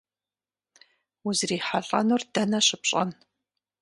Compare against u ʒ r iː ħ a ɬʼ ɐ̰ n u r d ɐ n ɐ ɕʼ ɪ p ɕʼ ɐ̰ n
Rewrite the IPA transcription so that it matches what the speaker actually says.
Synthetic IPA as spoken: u z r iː ħ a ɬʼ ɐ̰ n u r d ɐ n ɐ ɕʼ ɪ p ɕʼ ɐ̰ n

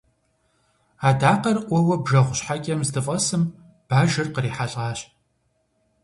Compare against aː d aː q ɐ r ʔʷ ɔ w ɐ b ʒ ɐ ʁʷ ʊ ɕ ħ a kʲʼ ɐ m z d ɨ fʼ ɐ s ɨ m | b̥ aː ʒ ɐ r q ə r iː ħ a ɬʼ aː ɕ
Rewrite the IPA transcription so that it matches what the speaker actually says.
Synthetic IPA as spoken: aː d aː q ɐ r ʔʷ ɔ w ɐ b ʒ ɐ ʁʷ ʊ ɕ ħ a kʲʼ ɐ m z d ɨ fʼ ɐ s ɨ m | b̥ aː ʒ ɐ r q ə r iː ħ a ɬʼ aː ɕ

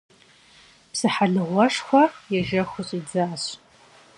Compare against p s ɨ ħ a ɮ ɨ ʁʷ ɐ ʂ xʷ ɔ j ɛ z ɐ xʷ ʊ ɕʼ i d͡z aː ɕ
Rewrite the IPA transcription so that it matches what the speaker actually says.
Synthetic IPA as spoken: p s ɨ ħ a ɮ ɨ ʁʷ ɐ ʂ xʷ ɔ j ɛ ʒ ɐ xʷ ʊ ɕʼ i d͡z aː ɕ

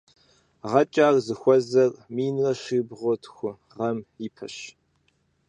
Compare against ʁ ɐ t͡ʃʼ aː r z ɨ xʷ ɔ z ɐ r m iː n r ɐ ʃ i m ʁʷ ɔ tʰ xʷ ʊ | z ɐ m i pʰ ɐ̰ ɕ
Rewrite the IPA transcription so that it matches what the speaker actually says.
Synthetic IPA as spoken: ʁ ɐ t͡ʃʼ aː r z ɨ xʷ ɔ z ɐ r m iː n r ɐ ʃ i b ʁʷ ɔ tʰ xʷ ʊ | ʁ ɐ m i pʰ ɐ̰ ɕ

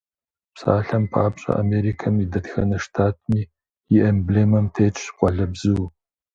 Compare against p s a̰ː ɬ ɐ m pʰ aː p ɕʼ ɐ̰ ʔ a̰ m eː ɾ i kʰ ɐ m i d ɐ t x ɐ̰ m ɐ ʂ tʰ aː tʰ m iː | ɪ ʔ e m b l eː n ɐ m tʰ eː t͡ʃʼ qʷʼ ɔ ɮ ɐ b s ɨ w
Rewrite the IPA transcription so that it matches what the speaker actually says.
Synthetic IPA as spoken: p s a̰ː ɬ ɐ m pʰ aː p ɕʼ ɐ̰ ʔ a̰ m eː ɾ i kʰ ɐ m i d ɐ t x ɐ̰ n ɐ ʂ tʰ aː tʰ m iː | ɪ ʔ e m b l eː m ɐ m tʰ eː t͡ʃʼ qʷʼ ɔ ɮ ɐ b z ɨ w

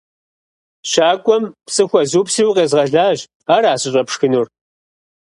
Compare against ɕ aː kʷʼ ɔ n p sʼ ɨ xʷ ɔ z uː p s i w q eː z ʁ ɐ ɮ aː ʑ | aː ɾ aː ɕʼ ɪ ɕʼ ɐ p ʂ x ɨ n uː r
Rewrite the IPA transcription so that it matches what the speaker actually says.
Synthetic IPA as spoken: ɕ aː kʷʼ ɔ m p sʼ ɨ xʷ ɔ z uː p s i w q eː z ʁ ɐ ɮ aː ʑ | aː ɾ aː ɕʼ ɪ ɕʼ ɐ p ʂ x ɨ n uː r

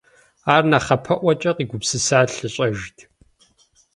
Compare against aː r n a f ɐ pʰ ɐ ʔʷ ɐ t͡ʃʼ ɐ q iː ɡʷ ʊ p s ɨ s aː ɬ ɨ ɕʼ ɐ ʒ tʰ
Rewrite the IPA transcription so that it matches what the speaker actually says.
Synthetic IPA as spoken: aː r n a χ ɐ pʰ ɐ ʔʷ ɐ t͡ʃʼ ɐ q iː ɡʷ ʊ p s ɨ s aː ɬ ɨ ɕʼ ɐ ʒ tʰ

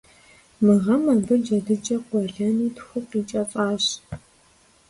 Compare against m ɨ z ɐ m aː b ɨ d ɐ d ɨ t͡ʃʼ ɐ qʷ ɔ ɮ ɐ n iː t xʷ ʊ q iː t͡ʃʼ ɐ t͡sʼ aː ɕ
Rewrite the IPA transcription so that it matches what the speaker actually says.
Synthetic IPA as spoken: m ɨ ʁ ɐ m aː b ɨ d͡ʒ ɐ d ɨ t͡ʃʼ ɐ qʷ ɔ ɮ ɐ n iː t xʷ ʊ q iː t͡ʃʼ ɐ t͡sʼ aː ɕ

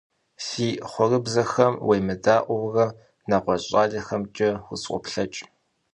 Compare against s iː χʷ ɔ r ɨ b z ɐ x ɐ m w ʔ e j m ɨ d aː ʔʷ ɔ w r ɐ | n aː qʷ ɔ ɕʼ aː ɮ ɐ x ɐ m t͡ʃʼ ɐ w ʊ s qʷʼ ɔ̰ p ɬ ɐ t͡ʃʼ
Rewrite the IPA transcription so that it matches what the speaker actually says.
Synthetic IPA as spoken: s iː χʷ ɔ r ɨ b z ɐ x ɐ m w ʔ e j m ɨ d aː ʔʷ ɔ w r ɐ | n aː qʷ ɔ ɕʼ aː ɮ ɐ x ɐ m t͡ʃʼ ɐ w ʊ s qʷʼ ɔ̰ p ɬ ɐ t͡ʃʼ

